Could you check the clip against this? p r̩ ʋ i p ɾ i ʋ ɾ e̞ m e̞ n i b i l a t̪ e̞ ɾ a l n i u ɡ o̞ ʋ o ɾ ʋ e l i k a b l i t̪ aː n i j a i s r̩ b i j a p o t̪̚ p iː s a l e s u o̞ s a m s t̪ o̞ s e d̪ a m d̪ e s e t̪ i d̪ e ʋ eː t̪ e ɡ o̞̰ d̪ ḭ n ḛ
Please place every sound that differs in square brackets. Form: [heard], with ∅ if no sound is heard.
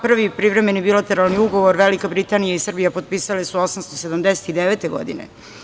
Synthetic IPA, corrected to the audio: p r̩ ʋ i p ɾ i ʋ ɾ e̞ m e̞ n i b i l a t̪ e̞ ɾ a l n i u ɡ o̞ ʋ o ɾ ʋ e l i k a b [ɾ] i t̪ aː n i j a i s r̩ b i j a p o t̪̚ p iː s a l e s u o̞ s a m s t̪ o̞ s e d̪ a m d̪ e s e t̪ i d̪ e ʋ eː t̪ e ɡ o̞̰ d̪ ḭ n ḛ